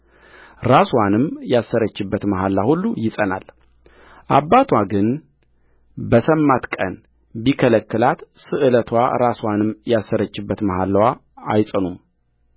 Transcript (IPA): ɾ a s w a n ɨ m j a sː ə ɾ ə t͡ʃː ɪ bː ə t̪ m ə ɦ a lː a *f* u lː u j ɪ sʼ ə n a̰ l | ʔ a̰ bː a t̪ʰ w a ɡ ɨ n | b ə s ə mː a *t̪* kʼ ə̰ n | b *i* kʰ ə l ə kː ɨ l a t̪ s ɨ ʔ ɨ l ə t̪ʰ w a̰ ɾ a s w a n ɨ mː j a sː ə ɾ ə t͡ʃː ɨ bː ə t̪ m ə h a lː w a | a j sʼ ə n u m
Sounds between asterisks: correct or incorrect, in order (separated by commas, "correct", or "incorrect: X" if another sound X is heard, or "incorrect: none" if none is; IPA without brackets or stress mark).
incorrect: h, correct, correct